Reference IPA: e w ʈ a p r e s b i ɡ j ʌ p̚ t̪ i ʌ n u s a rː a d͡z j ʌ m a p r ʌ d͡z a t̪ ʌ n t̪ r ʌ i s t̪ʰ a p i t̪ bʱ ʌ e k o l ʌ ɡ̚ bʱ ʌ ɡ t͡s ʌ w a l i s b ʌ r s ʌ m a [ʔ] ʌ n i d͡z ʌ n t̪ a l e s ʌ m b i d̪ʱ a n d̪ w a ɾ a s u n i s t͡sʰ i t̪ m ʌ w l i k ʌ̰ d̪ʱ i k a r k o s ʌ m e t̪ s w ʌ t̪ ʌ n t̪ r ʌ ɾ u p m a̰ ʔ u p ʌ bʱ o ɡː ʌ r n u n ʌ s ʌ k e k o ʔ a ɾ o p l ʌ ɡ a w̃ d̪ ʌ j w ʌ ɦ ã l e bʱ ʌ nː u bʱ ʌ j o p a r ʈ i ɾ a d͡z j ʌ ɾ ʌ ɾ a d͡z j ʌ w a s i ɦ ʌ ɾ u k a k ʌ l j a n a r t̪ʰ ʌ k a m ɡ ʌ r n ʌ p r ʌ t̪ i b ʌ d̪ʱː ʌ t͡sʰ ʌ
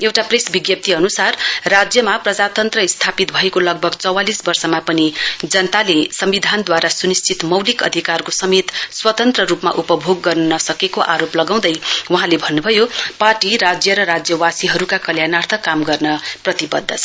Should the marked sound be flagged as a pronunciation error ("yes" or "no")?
yes